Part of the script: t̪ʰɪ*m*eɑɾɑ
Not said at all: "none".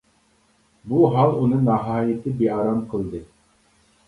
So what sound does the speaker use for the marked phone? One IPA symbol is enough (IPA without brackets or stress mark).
b